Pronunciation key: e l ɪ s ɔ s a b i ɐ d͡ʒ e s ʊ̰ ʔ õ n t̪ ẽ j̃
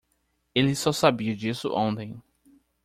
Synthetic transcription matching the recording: e l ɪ s ɔ s a b i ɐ d͡ʒ i s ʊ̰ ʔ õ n t̪ ẽ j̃